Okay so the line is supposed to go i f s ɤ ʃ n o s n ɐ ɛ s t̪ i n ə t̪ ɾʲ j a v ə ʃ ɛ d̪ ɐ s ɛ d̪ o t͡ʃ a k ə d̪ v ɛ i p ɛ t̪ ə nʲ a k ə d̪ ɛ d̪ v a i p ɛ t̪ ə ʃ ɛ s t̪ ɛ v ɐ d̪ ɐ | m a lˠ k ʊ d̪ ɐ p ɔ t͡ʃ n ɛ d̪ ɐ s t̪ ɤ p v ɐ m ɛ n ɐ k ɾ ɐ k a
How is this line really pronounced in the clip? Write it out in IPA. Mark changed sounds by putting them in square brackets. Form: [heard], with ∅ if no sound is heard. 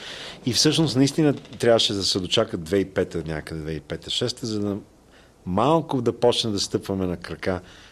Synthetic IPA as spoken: i f s ɤ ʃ n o s n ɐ [i] s t̪ i n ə t̪ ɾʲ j a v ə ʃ ɛ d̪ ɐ s ɛ d̪ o t͡ʃ a k ə d̪ v ɛ i p ɛ t̪ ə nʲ a k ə d̪ ɛ d̪ v [ɛ] i p ɛ t̪ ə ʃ ɛ s t̪ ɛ [z] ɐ d̪ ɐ | m a lˠ k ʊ d̪ ɐ p ɔ t͡ʃ n ɛ d̪ ɐ s t̪ ɤ p v ɐ m ɛ n ɐ k ɾ ɐ k a